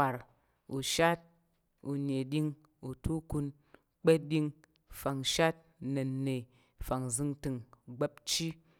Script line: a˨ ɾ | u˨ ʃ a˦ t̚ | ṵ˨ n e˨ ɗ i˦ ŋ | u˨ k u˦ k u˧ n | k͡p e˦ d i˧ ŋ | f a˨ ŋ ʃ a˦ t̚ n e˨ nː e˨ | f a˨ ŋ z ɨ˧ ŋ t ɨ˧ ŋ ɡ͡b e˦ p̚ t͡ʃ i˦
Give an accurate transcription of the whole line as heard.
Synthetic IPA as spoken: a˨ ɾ | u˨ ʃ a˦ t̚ | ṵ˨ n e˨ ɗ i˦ ŋ | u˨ t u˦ k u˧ n | k͡p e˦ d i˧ ŋ | f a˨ ŋ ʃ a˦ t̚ n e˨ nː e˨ | f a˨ ŋ z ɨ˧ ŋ t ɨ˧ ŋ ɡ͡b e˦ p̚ t͡ʃ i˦